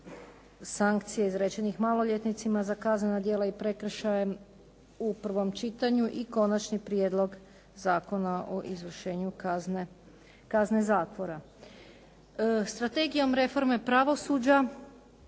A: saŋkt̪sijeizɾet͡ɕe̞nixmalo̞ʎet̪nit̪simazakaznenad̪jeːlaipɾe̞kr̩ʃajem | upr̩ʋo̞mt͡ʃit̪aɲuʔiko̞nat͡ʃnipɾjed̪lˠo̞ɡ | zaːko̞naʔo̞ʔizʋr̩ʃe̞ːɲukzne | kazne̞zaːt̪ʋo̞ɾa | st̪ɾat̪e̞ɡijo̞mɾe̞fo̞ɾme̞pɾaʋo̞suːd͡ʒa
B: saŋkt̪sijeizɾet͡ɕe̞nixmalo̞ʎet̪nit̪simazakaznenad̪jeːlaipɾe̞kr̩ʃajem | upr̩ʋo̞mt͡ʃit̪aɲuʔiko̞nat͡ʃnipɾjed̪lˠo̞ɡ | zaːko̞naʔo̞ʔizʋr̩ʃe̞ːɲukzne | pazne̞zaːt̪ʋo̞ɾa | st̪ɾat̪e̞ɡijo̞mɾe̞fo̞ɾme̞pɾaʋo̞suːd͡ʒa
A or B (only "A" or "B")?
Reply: A